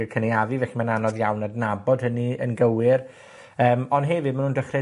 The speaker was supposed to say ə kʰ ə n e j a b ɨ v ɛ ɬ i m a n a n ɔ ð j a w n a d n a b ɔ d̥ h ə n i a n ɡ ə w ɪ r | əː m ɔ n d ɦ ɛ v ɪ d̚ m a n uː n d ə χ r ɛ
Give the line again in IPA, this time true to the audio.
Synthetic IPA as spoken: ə kʰ ə n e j a v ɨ v ɛ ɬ i m a n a n ɔ ð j a w n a d n a b ɔ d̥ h ə n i ə n ɡ ə w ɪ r | əː m ɔ n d ɦ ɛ v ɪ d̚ m a n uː n d ə χ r ɛ